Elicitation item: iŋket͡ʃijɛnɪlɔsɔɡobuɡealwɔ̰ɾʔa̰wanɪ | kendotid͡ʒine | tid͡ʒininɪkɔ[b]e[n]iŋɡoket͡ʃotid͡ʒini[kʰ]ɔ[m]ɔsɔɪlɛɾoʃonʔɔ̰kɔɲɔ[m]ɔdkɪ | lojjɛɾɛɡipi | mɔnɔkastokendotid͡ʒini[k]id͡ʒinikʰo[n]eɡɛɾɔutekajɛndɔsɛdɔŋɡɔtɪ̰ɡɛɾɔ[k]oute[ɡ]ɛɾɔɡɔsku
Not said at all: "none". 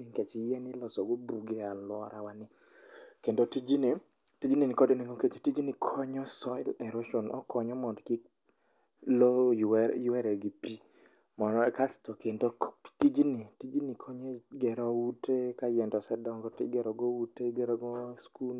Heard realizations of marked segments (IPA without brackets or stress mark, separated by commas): d, n, kʰ, ɲ, m, t, ɲ, ɡ, ɡ